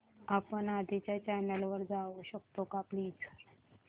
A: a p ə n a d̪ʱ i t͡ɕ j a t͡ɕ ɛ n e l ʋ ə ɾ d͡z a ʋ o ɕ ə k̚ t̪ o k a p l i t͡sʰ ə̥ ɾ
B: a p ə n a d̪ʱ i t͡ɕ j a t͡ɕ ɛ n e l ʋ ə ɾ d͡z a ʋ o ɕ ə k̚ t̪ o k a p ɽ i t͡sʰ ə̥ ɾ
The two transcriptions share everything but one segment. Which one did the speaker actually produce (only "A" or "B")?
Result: A